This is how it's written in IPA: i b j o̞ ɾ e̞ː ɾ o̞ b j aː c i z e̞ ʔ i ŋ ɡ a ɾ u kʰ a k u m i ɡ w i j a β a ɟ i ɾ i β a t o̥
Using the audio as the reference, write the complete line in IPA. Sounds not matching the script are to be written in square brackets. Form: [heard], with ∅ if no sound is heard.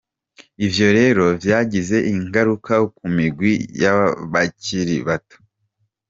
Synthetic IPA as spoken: i [v] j o̞ ɾ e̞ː ɾ o̞ [v] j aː [ɟ] i z e̞ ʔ i ŋ ɡ a ɾ u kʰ a k u m i ɡ w i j a β a [c] i ɾ i β a t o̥